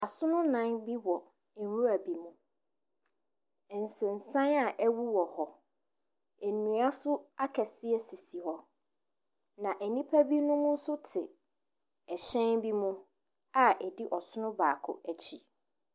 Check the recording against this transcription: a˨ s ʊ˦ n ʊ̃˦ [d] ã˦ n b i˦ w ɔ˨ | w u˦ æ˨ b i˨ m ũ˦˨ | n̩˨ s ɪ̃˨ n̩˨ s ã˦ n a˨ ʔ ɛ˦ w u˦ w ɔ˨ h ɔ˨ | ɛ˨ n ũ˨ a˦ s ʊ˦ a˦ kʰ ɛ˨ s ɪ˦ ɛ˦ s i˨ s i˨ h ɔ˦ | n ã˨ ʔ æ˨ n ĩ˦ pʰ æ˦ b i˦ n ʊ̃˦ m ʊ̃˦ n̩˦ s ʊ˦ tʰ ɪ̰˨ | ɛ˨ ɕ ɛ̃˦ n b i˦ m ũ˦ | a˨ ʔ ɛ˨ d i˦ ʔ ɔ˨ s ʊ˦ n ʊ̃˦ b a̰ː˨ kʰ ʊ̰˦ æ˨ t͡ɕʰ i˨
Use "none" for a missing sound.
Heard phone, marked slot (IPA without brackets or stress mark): n